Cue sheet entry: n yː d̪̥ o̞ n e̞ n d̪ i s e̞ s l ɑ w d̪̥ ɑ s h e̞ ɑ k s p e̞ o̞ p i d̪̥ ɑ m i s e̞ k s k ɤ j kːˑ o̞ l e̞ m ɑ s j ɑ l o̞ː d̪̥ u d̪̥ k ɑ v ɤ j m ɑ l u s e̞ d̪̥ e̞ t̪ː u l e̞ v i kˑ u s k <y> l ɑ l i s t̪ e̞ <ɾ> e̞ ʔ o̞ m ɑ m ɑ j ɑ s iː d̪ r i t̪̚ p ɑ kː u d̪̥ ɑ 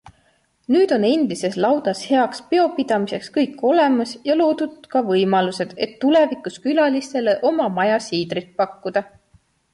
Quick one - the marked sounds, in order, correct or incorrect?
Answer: correct, incorrect

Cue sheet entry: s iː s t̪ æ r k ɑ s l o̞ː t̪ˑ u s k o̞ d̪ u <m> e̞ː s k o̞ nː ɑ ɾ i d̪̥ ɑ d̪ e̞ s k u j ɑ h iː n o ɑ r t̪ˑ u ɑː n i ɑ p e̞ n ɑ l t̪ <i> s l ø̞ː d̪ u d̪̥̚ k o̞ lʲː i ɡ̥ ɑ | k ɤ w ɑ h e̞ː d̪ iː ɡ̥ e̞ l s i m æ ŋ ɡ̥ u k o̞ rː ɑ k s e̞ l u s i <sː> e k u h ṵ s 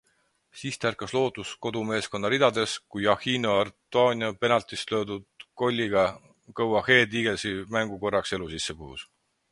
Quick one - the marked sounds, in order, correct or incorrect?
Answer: correct, correct, correct

